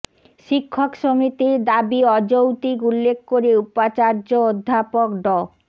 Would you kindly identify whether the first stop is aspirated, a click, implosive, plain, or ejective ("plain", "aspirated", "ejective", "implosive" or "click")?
aspirated